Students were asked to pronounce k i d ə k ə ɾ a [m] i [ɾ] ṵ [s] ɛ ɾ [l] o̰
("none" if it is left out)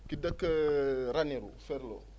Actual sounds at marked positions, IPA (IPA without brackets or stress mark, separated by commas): n, ɾ, f, l